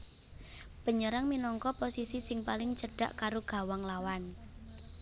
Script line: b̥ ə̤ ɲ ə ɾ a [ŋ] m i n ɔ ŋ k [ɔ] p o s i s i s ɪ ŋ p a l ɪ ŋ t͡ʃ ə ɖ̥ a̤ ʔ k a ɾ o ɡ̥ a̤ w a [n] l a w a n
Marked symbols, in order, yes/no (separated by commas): yes, yes, no